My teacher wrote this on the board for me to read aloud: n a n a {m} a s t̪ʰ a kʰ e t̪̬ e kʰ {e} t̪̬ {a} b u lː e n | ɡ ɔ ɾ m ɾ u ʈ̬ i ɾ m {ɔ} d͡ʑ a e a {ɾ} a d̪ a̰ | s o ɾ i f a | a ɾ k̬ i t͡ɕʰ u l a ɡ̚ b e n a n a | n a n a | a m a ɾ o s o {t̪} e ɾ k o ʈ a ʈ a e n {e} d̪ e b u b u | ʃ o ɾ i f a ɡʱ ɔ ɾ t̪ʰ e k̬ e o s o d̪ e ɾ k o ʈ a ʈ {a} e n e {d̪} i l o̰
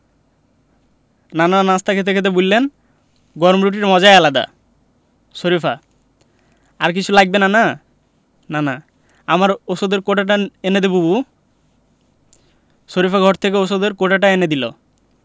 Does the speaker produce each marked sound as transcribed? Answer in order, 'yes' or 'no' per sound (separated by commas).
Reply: no, yes, no, yes, no, no, yes, yes, yes